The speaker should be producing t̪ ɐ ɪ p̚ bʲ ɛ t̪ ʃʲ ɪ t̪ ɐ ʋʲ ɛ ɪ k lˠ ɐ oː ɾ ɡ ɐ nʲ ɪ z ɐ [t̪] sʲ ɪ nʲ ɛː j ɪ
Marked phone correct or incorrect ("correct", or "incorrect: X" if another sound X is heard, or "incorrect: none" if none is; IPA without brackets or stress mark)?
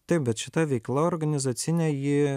correct